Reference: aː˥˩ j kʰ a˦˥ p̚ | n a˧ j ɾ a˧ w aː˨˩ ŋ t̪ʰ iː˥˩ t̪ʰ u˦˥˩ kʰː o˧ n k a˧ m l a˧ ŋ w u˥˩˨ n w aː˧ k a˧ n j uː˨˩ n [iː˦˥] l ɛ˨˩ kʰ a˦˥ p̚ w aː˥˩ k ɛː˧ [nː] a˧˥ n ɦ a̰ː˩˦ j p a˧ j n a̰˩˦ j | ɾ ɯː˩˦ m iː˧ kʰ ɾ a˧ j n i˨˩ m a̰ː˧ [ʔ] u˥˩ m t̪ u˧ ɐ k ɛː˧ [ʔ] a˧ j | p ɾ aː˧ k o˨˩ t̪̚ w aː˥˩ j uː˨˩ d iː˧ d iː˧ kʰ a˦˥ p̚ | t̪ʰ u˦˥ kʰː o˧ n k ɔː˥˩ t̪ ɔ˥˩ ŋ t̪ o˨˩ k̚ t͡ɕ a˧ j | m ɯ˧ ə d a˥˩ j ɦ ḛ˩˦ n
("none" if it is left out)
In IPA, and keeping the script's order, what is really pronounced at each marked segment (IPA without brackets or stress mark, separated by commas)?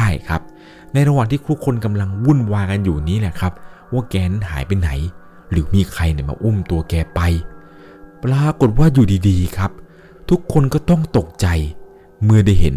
iː˦˥, n, ʔ, p